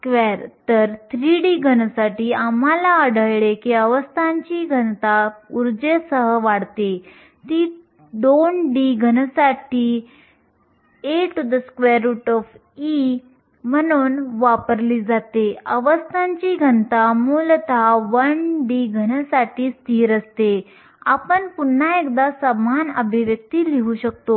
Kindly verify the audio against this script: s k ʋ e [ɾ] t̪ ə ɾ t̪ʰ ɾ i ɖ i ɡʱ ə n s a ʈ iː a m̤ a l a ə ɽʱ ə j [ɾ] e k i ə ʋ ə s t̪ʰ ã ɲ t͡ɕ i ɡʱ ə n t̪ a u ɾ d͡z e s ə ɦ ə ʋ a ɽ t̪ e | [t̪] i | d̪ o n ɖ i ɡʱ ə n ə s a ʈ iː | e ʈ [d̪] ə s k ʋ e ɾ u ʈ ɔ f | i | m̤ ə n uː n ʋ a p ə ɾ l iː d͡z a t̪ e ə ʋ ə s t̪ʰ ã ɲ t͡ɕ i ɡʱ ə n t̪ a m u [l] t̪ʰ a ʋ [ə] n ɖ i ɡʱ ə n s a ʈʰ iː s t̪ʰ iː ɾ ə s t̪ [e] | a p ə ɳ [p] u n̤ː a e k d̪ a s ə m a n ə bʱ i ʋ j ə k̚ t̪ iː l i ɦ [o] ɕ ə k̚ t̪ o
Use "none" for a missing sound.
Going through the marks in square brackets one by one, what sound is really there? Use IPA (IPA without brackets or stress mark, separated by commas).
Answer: ɾ, ɭ, t̪, d̪, l, ə, e, p, u